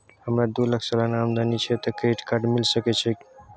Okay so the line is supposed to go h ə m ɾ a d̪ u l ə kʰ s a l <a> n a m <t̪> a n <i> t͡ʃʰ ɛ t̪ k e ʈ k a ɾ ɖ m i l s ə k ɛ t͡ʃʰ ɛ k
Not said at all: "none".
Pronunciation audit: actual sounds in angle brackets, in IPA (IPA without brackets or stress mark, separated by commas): a, d̪, i